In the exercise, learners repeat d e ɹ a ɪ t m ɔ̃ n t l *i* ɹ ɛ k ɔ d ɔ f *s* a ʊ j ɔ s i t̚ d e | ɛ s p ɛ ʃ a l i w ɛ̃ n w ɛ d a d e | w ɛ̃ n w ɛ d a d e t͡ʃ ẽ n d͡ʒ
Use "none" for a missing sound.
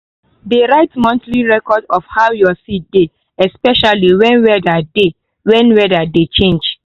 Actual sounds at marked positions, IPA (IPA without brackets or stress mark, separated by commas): i, h